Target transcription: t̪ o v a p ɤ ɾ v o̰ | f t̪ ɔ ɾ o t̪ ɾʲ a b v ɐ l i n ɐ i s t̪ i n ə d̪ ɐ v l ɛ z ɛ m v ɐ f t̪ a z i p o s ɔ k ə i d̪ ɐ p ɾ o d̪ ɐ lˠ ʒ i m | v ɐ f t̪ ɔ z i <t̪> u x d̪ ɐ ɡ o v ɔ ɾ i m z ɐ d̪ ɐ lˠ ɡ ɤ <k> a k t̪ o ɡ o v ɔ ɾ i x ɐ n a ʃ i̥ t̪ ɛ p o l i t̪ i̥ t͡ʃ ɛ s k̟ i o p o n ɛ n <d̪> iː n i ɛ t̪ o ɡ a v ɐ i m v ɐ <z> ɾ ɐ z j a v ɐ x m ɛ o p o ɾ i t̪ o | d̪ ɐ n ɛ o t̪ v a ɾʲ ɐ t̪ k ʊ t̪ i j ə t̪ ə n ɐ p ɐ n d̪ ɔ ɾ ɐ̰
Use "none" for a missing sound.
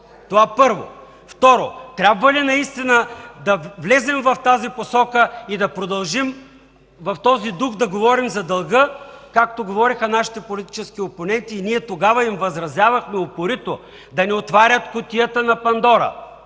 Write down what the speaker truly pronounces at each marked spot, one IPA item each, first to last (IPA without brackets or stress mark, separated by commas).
d̪, k, t̪, z